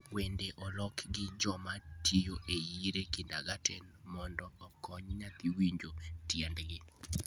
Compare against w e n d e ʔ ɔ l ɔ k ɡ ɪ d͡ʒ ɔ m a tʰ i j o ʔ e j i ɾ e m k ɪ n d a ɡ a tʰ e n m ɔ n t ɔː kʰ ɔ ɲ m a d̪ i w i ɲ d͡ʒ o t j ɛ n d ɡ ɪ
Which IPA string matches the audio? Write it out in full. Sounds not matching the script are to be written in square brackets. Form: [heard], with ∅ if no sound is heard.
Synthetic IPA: w e n d e ʔ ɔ l ɔ k ɡ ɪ d͡ʒ ɔ m a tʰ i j o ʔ e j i ɾ e [∅] k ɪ n d a ɡ a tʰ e n m ɔ n [d] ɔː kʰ ɔ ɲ [ɲ] a [t̪] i w i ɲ d͡ʒ o t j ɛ n d ɡ ɪ